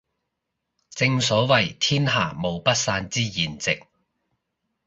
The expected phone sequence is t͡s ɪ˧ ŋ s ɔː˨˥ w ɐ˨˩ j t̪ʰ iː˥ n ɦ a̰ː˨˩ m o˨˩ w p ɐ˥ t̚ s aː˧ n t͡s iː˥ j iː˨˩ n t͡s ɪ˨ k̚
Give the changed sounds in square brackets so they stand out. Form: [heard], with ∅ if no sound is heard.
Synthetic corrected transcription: t͡s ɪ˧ ŋ s ɔː˨˥ w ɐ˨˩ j t̪ʰ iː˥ n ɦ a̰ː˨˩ m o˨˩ w p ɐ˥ t̚ s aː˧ n t͡s iː˥ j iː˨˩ n t͡s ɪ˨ k̚